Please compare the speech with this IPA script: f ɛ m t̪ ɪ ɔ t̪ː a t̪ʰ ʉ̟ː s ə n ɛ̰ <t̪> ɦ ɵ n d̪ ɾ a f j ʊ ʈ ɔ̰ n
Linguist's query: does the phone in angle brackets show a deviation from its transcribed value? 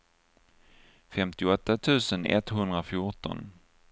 no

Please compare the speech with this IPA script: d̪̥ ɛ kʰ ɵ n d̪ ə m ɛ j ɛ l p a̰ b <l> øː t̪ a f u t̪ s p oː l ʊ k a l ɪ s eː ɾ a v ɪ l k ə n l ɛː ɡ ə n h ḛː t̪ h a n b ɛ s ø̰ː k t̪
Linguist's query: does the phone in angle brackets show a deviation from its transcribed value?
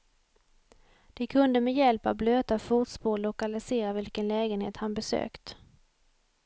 no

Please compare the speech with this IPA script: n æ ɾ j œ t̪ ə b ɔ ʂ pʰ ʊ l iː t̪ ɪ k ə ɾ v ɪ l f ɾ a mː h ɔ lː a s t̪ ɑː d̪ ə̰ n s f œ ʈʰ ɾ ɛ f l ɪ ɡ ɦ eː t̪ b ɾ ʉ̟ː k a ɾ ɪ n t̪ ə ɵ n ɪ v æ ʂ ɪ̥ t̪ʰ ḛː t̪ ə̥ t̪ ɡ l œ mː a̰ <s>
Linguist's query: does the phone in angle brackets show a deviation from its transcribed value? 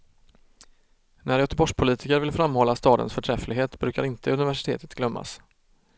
no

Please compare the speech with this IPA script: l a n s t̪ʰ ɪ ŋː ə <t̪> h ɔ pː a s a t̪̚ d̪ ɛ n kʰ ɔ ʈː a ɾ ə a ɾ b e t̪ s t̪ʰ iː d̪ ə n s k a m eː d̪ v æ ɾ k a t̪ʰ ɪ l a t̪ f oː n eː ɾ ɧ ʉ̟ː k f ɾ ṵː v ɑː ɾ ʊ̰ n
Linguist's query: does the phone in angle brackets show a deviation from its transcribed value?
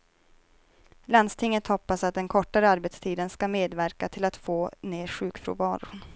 no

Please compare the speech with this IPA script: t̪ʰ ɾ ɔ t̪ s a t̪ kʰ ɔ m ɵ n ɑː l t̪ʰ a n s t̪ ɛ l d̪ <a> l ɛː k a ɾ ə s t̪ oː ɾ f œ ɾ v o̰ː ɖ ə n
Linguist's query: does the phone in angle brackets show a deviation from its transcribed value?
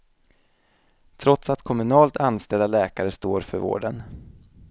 no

